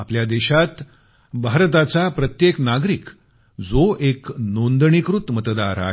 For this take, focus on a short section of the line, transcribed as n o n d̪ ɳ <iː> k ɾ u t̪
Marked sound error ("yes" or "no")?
yes